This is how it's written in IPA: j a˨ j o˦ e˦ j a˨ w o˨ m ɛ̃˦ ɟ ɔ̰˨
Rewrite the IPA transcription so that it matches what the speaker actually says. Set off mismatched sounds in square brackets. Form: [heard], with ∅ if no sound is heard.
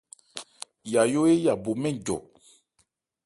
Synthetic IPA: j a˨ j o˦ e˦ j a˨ [b] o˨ m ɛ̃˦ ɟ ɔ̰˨